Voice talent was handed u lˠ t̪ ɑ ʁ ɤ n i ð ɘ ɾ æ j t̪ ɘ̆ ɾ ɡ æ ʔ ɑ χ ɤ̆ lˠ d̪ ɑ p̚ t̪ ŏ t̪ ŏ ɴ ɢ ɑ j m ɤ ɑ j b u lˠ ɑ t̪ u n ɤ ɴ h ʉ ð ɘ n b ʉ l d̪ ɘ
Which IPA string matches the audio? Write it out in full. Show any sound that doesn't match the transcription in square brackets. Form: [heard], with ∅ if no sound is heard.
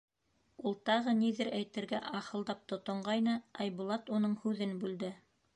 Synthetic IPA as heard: u lˠ t̪ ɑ ʁ ɤ n i ð ɘ ɾ æ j t̪ ɘ̆ ɾ ɡ æ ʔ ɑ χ ɤ̆ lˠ d̪ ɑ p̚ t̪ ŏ t̪ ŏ ɴ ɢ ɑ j [n] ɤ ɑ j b u lˠ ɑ t̪ u n ɤ ɴ h ʉ ð ɘ n b ʉ l d̪ ɘ